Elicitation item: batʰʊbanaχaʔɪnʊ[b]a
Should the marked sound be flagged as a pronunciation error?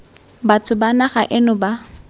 no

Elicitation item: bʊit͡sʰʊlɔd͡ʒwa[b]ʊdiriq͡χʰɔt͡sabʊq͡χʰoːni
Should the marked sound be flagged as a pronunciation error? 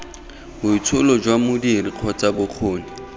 yes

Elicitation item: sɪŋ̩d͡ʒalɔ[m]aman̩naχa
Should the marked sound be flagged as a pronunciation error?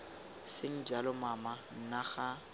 no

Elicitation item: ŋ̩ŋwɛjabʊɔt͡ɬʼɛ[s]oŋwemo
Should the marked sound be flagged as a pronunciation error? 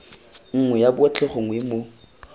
yes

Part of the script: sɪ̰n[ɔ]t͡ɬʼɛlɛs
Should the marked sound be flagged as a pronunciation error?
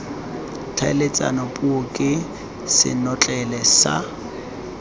no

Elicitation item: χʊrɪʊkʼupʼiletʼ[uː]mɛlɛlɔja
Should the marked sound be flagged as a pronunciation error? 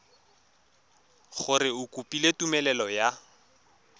yes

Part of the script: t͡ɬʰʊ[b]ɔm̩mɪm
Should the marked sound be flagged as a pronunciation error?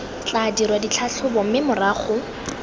no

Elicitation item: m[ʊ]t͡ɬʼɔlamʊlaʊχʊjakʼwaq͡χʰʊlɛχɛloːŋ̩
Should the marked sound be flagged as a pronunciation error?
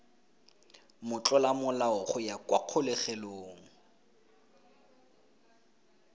no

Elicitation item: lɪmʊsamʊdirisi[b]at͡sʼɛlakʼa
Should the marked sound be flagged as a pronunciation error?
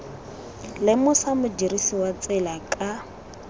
yes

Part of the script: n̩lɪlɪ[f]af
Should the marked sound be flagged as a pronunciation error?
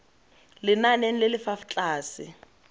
no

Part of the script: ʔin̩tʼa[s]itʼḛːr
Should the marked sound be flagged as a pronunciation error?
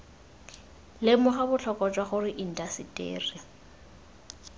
no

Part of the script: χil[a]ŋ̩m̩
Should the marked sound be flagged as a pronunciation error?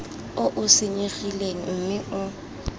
yes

